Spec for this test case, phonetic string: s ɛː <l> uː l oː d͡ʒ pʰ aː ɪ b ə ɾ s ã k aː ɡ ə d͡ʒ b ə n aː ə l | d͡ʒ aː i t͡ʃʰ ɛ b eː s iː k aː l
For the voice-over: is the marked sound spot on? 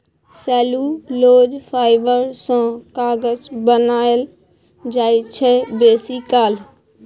yes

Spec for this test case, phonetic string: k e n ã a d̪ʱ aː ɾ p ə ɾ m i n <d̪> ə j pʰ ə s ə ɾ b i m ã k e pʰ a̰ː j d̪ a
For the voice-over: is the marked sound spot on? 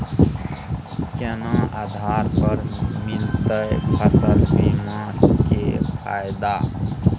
no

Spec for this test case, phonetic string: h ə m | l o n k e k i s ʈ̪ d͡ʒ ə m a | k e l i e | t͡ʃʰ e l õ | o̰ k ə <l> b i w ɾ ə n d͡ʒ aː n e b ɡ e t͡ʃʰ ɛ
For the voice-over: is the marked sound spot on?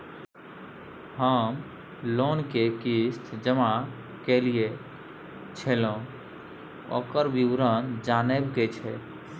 no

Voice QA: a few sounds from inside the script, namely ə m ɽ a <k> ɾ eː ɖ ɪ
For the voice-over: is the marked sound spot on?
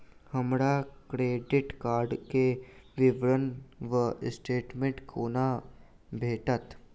yes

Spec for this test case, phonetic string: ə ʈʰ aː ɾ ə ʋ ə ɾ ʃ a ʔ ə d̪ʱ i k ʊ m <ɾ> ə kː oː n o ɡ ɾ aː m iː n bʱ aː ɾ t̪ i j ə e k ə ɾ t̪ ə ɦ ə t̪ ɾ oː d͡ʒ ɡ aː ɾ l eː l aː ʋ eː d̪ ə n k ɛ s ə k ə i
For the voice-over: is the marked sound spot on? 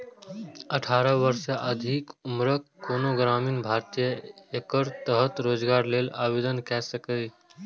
yes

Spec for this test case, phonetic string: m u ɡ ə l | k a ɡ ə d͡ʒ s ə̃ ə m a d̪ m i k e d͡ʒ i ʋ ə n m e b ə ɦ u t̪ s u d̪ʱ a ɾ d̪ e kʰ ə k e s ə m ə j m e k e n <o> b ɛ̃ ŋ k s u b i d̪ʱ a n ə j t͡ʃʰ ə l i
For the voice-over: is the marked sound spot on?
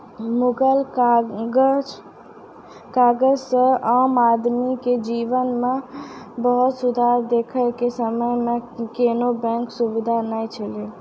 yes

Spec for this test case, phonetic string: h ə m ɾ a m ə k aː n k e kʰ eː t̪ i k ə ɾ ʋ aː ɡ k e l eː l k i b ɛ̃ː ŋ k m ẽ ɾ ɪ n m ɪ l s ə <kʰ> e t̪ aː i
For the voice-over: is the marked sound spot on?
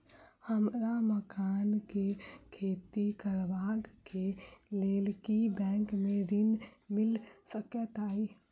no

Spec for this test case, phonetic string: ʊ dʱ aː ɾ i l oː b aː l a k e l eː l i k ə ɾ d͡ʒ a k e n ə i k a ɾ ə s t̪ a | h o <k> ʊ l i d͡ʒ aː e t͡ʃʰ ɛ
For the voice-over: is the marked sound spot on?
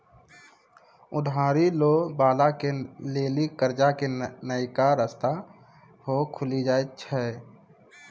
no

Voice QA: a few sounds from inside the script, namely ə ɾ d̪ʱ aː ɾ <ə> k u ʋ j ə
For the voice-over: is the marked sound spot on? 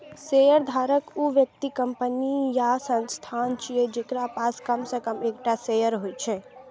yes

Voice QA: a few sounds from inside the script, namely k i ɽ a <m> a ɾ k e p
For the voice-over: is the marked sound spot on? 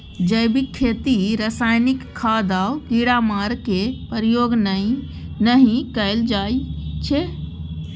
yes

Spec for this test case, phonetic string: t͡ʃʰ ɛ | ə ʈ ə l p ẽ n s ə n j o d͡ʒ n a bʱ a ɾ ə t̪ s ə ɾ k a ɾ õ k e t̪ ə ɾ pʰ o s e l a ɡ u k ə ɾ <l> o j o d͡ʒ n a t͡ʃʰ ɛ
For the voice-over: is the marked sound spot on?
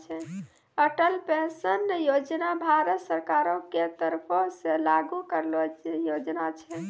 yes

